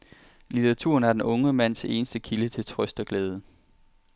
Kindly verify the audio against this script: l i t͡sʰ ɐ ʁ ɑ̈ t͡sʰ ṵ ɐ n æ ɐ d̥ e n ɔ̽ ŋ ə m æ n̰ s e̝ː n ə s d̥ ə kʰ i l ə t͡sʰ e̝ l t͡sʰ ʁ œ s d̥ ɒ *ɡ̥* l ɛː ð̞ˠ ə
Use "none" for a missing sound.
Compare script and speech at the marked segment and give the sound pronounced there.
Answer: ɡ̥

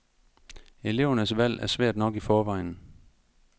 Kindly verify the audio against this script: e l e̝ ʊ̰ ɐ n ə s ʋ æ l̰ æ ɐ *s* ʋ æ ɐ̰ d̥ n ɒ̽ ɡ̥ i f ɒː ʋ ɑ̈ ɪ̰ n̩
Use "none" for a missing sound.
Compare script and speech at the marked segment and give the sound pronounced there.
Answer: s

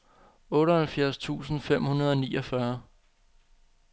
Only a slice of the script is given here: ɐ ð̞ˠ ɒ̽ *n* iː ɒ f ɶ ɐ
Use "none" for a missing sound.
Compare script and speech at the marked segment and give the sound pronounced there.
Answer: n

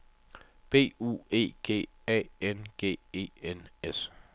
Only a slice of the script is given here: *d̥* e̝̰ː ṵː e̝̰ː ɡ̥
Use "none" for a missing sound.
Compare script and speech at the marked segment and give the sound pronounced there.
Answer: b̥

